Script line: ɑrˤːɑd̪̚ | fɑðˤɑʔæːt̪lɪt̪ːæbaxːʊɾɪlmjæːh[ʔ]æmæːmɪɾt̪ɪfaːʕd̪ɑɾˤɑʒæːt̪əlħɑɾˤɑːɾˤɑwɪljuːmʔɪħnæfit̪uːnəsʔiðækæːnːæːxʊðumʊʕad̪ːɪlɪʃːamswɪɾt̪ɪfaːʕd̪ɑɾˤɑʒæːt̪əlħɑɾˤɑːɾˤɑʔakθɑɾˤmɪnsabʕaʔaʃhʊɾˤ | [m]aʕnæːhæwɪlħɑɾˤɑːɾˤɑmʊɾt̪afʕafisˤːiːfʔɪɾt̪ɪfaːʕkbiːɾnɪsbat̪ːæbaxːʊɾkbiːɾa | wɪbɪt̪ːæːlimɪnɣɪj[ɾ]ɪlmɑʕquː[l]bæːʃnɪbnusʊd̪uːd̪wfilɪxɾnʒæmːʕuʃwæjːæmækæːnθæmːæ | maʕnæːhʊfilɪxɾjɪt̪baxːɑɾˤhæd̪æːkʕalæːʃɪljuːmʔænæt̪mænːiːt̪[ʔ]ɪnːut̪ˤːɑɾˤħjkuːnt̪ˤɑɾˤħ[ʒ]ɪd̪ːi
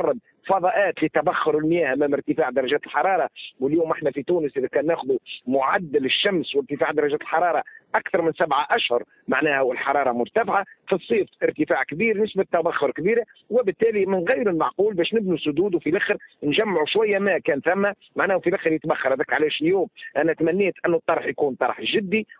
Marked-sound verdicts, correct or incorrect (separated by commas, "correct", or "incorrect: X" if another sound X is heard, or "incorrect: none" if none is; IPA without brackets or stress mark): correct, correct, correct, correct, correct, correct